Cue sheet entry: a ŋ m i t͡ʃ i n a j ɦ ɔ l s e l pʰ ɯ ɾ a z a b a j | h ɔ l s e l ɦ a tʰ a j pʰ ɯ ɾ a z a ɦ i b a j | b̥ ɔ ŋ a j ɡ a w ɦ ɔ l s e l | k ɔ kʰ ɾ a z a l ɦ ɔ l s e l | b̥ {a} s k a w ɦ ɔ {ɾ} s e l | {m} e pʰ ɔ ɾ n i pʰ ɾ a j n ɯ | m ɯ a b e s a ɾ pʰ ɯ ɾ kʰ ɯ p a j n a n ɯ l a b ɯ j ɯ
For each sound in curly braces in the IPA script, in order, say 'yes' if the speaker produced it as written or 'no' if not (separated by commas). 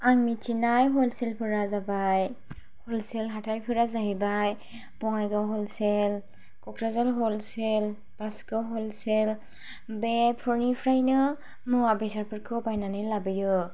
yes, no, no